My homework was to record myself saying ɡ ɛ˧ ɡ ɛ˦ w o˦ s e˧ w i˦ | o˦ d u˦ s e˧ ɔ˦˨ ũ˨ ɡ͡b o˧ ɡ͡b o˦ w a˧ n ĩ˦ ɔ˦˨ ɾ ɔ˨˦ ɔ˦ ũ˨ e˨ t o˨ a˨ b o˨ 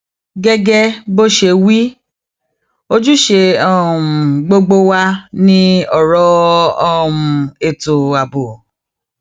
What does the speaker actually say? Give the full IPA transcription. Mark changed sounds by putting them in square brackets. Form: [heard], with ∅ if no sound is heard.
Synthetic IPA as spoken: ɡ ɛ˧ ɡ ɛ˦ [b] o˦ [ʃ] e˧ w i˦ | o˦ [d͡ʒ] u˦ [ʃ] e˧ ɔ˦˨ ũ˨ ɡ͡b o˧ ɡ͡b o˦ w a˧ n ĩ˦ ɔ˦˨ ɾ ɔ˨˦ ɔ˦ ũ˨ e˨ t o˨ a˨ b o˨